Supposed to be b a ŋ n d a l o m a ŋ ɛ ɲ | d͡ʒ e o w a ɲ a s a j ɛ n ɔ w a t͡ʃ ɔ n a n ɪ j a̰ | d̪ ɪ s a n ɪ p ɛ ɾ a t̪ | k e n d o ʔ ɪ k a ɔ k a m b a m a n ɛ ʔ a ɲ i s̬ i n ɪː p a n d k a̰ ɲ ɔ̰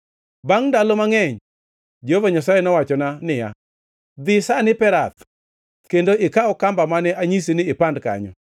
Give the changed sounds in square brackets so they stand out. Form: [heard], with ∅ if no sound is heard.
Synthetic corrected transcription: b a ŋ n d a l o m a ŋ ɛ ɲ | d͡ʒ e o [v] a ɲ a s a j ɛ n ɔ w a t͡ʃ ɔ n a n ɪ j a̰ | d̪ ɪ s a n ɪ p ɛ ɾ a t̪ | k e n d o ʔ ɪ k a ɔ k a m b a m a n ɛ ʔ a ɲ i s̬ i n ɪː p a n d k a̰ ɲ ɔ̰